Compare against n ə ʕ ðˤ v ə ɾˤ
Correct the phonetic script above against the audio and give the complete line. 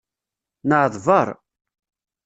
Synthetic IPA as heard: n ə ʕ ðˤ v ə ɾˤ

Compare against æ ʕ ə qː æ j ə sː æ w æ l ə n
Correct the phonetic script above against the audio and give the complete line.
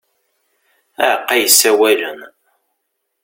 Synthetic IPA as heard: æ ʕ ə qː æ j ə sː æ w æ l ə n

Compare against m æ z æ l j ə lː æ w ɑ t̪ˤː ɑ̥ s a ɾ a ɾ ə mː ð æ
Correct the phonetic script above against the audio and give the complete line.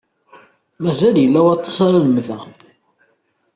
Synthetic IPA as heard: m æ z æ l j ə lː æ w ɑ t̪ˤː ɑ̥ s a ɾ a l ə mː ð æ

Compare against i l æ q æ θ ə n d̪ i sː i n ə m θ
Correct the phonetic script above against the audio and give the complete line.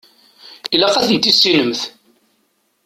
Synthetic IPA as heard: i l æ q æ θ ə n t̪ i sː i n ə m θ

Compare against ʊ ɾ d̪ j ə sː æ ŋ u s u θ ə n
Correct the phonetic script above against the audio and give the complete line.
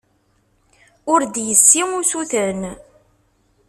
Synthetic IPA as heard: ʊ ɾ d̪ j ə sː i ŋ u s u θ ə n

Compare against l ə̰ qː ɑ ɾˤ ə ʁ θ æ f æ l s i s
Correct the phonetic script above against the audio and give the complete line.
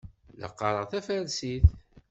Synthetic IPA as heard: l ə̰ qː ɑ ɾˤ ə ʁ θ æ f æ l s i θ

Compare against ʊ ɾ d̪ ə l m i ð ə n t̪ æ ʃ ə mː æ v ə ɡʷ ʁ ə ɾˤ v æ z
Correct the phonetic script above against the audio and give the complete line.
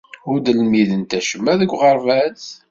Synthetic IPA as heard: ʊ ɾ d̪ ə l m i ð ə n t̪ æ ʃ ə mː æ ð ə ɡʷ ʁ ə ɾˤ v æ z

